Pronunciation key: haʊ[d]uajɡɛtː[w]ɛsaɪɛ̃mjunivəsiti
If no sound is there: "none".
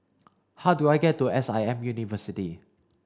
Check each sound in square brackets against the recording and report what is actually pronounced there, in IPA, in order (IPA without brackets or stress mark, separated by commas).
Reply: d, u